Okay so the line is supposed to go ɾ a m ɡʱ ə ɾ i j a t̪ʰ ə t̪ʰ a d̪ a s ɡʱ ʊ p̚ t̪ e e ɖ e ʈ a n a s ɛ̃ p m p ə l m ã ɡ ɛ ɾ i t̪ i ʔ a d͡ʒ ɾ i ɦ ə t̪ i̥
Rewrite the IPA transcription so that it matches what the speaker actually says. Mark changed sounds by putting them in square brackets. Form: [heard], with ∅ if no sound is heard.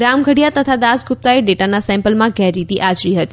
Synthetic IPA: ɾ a m ɡʱ ə [ɽ] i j a [t̪] ə t̪ʰ a d̪ a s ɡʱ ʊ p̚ t̪ [a] e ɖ e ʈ a n a s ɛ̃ [∅] m p ə l m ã ɡ ɛ ɾ i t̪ i ʔ a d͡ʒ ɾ i ɦ ə t̪ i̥